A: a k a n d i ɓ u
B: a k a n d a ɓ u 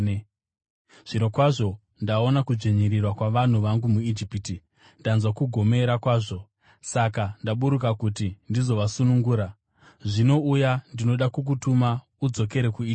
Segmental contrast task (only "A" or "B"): B